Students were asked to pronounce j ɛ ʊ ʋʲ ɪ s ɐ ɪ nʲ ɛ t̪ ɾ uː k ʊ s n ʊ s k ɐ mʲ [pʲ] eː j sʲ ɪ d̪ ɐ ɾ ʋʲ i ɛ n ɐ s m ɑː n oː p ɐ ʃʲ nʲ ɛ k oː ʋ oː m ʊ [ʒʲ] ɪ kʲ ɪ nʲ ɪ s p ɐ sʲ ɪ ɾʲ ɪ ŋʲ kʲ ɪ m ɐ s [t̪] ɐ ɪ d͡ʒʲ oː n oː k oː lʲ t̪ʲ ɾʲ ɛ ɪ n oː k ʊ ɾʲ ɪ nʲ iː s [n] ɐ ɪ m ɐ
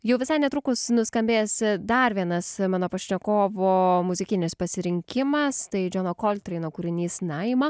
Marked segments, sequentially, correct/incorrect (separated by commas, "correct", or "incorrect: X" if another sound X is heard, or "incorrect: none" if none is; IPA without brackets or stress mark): incorrect: bʲ, incorrect: zʲ, correct, correct